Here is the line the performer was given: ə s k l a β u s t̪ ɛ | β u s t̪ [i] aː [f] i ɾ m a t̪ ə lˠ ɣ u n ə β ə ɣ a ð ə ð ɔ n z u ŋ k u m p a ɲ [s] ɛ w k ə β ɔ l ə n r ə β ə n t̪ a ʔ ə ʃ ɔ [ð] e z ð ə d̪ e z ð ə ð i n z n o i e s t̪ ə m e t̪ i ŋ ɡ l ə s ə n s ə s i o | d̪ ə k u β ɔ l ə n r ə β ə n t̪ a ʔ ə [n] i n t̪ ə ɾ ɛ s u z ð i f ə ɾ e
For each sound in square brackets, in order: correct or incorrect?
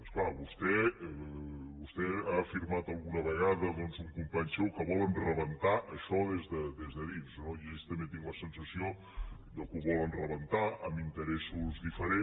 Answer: incorrect, correct, correct, correct, incorrect

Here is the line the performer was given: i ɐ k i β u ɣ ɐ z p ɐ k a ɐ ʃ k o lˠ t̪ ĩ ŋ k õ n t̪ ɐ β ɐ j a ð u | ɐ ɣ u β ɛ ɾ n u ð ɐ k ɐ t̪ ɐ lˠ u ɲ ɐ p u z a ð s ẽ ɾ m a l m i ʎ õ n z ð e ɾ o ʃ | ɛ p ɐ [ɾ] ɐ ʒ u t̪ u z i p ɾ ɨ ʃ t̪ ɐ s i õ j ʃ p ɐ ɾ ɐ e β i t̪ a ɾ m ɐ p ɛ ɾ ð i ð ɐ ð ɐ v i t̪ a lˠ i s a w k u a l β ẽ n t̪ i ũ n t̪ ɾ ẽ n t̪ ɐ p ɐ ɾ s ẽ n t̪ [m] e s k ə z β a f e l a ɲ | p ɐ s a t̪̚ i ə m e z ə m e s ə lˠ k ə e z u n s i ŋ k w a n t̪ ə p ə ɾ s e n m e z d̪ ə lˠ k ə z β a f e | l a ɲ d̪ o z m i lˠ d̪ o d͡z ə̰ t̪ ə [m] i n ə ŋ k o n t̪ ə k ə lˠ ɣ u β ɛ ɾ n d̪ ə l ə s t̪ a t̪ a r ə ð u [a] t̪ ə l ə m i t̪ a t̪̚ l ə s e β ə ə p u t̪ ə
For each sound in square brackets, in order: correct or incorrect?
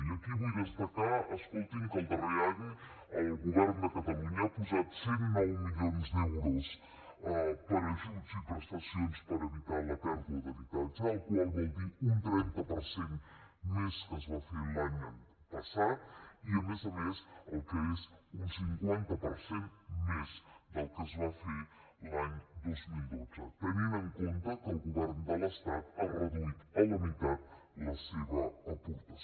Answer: correct, correct, incorrect, incorrect

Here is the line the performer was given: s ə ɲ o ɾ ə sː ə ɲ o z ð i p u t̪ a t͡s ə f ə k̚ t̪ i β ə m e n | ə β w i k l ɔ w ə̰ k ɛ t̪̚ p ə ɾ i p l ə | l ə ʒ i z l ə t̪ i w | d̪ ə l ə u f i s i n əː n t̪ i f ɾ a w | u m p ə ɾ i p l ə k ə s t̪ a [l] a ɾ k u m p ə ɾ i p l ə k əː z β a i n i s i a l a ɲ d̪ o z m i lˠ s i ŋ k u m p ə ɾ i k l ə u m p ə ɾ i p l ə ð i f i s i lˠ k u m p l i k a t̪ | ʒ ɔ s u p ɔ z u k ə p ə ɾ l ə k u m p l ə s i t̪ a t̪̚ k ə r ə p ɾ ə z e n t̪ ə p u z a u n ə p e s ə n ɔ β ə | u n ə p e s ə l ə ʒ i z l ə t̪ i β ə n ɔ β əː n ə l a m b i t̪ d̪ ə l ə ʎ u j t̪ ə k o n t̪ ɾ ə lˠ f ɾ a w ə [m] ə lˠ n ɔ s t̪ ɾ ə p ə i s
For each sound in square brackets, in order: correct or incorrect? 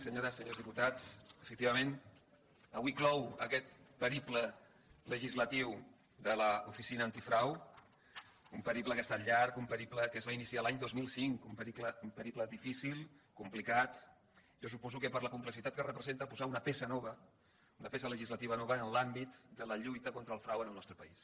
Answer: incorrect, incorrect

